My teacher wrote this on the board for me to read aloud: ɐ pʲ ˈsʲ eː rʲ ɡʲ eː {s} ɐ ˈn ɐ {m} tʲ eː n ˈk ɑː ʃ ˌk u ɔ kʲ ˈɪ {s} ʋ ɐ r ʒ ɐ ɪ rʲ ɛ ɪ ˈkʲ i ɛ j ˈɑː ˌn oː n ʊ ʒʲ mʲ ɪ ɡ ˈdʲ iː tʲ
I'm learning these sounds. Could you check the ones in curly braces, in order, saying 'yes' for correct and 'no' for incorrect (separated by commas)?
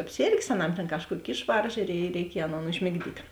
yes, yes, no